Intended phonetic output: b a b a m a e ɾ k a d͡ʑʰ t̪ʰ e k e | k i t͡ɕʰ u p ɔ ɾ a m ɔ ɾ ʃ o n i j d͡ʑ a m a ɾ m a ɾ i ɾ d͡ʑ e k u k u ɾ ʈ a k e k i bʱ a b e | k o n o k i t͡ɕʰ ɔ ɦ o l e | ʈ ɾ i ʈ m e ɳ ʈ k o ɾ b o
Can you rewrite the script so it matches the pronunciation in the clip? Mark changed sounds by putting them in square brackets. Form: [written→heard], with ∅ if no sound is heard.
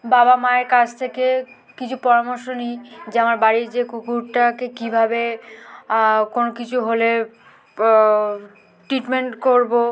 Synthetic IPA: b a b a m a e ɾ k a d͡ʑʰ t̪ʰ e k e | k i t͡ɕʰ u p ɔ ɾ a m [ɔ→o] ɾ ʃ o n i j d͡ʑ a m a ɾ [m→b] a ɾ i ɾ d͡ʑ e k u k u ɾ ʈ a k e k i bʱ a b e | k o n o k i t͡ɕʰ [ɔ→u] ɦ o l e | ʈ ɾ i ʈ m e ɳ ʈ k o ɾ b o